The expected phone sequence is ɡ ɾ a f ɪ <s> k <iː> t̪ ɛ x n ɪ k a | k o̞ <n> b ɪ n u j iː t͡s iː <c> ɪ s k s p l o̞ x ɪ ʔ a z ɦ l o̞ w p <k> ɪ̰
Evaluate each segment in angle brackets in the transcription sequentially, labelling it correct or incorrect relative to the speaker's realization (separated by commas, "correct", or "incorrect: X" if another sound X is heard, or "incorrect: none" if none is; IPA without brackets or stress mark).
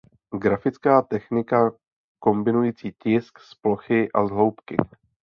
incorrect: t͡s, incorrect: aː, incorrect: m, correct, correct